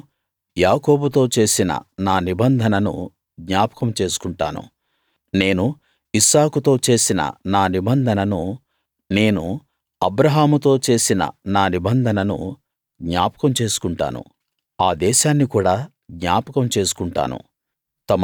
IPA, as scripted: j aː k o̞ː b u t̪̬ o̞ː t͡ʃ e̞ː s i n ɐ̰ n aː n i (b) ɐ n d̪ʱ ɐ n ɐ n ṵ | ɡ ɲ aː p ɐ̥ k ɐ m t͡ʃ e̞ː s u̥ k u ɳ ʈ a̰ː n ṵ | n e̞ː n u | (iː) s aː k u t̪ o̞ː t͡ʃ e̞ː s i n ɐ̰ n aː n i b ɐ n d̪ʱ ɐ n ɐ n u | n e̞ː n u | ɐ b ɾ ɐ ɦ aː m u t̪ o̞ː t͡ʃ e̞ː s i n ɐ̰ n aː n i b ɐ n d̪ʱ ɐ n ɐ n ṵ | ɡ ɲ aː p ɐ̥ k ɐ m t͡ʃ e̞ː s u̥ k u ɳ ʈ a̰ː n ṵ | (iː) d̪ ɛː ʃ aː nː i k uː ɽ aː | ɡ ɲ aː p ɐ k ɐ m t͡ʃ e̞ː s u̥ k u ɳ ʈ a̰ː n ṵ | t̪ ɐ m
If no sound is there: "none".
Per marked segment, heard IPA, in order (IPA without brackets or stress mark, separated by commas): b, i, aː